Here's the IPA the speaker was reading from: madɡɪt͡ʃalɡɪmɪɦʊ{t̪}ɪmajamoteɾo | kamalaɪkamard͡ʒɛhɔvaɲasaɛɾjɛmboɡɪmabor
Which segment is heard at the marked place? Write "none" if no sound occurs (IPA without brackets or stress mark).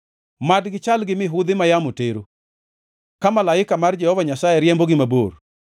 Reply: d̪